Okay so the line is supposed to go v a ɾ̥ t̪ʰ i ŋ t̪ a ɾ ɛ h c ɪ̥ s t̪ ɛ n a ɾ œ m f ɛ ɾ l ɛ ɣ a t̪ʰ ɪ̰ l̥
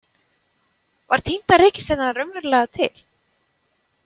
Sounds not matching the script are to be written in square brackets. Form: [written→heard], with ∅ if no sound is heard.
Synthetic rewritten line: v a ɾ̥ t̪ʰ i [ŋ→n] t̪ a ɾ ɛ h c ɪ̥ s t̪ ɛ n a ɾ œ m [f→v] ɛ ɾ l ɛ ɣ a t̪ʰ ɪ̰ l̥